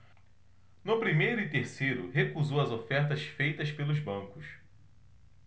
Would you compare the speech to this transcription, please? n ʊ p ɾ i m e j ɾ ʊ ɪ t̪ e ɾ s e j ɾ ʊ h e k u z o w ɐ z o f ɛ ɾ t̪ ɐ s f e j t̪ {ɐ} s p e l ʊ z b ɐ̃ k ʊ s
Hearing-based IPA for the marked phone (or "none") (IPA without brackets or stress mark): ɐ